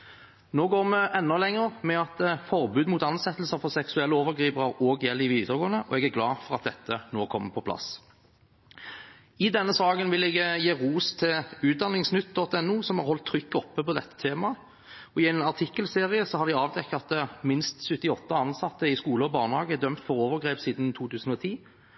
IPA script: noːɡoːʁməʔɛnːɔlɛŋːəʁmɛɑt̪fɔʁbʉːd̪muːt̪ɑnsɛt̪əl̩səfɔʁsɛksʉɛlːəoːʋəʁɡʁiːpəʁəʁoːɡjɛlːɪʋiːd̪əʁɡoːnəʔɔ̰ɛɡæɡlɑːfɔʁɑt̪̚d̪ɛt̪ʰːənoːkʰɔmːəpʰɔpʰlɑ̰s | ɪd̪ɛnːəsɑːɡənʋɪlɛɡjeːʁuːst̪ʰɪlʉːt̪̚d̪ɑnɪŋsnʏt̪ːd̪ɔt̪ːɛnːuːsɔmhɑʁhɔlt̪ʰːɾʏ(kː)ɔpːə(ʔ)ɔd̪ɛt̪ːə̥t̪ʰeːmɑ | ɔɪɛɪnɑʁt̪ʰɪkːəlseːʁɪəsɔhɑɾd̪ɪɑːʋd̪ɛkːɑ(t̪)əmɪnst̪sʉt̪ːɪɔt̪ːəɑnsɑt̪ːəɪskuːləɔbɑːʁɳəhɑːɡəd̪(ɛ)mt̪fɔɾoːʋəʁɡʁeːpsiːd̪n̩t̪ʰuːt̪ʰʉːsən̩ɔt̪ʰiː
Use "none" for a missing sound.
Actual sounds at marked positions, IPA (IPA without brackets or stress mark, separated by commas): kː, p, t̪, œ